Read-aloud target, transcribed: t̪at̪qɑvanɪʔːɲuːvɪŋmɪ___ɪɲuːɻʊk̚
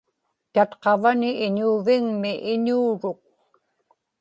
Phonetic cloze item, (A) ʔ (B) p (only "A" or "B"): A